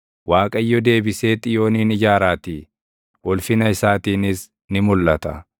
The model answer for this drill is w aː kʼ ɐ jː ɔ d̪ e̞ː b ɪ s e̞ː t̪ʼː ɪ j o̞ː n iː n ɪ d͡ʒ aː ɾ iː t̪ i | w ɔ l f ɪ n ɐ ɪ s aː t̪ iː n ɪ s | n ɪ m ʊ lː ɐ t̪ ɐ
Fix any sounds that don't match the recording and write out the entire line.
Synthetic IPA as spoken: w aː kʼ ɐ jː ɔ d̪ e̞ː b ɪ s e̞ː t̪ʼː ɪ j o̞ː n iː n ɪ d͡ʒ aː ɾ aː t̪ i | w ɔ l f ɪ n ɐ ɪ s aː t̪ iː n ɪ s | n ɪ m ʊ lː ɐ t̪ ɐ